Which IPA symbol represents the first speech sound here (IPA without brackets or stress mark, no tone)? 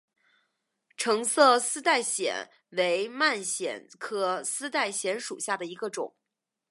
ʈ͡ʂʰ